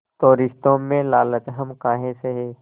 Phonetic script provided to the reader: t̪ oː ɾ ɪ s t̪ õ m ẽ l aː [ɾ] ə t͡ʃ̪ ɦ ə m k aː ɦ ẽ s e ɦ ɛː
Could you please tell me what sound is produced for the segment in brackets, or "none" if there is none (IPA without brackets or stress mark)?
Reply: l